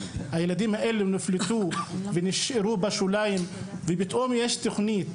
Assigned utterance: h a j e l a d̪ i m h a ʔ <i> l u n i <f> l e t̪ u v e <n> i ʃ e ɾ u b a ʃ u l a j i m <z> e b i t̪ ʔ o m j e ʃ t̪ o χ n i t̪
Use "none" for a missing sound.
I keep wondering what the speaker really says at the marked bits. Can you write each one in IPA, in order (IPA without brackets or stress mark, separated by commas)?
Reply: e, f, n, v